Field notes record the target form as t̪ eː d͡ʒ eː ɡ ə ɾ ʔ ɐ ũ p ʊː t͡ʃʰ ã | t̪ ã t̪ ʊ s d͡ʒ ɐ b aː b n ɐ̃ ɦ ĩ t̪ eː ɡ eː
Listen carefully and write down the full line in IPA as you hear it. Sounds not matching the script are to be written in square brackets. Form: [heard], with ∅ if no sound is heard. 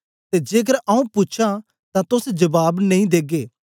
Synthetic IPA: t̪ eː d͡ʒ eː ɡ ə ɾ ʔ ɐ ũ p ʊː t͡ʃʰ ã | t̪ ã t̪ ʊ s d͡ʒ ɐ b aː b n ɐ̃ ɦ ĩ [d̪] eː ɡ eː

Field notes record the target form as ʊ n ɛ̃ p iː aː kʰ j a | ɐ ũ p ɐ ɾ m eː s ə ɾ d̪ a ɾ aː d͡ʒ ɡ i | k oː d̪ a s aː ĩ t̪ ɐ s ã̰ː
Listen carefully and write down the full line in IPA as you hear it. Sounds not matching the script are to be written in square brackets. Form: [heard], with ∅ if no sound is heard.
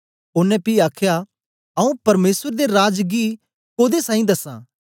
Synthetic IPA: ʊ n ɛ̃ p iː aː kʰ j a | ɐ ũ p ɐ ɾ m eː s ə ɾ d̪ [e] ɾ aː d͡ʒ ɡ i | k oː d̪ [e] s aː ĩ [d̪] ɐ s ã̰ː

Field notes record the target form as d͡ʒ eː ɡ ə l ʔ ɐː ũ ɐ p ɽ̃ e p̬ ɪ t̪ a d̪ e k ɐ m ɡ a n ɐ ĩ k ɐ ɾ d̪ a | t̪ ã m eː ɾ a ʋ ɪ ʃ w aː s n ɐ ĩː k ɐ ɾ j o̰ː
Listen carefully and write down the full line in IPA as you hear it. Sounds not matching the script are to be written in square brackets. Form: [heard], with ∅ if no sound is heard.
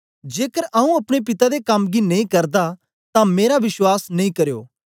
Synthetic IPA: d͡ʒ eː [k] ə [ɾ] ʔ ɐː ũ ɐ p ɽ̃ e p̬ ɪ t̪ a d̪ e k ɐ m ɡ [i] n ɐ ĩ k ɐ ɾ d̪ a | t̪ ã m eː ɾ a ʋ ɪ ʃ w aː s n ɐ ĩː k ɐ ɾ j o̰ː

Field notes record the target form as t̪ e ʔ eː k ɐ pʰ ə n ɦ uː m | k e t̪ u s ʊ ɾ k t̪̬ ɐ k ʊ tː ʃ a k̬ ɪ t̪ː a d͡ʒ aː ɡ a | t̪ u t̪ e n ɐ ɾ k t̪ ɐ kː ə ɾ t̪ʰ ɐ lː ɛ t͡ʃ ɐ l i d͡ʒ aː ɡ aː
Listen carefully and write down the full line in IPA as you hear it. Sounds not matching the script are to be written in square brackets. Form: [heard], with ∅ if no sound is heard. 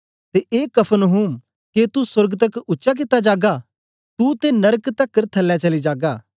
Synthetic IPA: t̪ e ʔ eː k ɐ pʰ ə n ɦ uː m | k e t̪ u s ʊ ɾ [ɡ] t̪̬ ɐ k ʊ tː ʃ a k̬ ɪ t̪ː a d͡ʒ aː ɡ a | t̪ u t̪ e n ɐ ɾ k t̪ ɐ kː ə ɾ t̪ʰ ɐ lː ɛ t͡ʃ ɐ l i d͡ʒ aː ɡ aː

